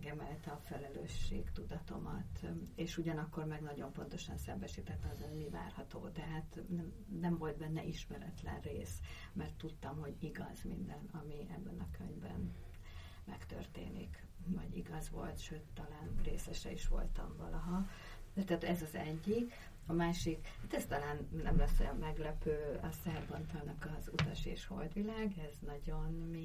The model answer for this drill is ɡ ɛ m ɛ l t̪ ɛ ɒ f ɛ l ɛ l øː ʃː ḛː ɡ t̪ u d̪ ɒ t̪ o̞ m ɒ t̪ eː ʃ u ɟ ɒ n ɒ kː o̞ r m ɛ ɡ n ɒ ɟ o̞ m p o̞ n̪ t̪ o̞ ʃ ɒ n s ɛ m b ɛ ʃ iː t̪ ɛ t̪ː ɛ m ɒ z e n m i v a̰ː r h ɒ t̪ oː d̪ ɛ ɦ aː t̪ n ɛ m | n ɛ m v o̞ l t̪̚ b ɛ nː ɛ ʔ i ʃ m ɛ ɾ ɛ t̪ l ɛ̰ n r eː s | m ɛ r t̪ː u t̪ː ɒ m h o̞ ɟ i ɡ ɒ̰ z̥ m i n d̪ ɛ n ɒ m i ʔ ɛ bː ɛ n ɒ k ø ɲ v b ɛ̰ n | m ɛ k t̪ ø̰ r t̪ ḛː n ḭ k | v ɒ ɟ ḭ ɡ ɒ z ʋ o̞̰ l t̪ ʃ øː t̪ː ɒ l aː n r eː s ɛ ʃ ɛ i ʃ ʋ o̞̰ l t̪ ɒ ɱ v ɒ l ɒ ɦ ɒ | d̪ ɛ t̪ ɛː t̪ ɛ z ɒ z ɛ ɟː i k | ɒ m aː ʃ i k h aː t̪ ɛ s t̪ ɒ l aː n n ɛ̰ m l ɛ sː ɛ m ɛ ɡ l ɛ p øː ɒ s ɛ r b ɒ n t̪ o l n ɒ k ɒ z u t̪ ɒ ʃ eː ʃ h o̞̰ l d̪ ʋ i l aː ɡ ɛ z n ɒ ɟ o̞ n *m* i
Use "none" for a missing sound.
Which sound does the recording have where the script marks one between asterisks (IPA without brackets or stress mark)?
m